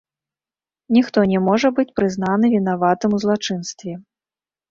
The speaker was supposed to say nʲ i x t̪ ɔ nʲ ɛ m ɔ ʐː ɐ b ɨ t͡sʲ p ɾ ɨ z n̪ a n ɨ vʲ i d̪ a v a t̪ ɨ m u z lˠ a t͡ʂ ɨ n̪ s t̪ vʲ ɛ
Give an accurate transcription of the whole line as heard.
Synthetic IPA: nʲ i x t̪ ɔ nʲ ɛ m ɔ ʐ ɐ b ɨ t͡sʲ p ɾ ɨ z n̪ a n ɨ vʲ i n̪ a v a t̪ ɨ m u z lˠ a t͡ʂ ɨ n̪ s t̪ vʲ ɛ